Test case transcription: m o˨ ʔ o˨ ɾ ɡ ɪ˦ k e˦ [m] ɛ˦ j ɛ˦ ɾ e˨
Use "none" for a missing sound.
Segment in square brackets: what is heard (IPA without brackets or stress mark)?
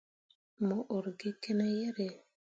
n